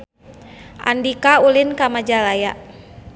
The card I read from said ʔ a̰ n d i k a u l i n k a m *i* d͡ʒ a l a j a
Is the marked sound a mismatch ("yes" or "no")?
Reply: yes